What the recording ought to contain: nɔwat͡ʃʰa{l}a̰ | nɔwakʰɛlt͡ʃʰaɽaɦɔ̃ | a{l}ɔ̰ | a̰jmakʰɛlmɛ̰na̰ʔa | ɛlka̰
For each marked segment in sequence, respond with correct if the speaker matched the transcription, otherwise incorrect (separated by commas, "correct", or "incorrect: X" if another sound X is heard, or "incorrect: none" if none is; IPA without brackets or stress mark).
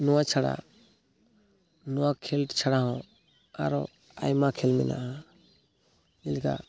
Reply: incorrect: ɽ, incorrect: ɾ